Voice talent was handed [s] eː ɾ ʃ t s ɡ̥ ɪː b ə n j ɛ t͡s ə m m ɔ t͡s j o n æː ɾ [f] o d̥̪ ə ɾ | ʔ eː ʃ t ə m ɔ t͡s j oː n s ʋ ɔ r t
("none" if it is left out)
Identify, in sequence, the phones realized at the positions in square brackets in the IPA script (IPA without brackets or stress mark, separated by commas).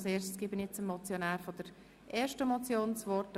s, f